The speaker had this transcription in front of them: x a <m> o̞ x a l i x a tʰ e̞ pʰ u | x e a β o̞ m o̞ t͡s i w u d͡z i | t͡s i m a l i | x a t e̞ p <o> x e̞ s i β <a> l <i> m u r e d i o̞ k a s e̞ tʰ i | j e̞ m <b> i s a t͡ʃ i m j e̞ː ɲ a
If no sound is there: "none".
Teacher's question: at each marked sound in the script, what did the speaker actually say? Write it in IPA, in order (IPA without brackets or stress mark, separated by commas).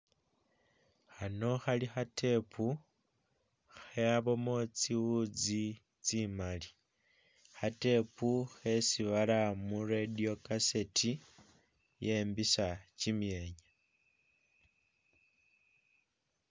n, u, a, a, b